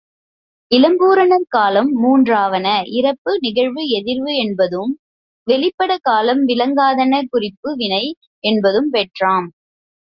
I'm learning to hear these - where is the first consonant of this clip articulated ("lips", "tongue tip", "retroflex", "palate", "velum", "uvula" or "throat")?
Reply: tongue tip